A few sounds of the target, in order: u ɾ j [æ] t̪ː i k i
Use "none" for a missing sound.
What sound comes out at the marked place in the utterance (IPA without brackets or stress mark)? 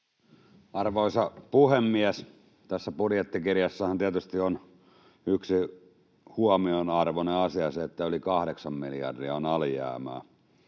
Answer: e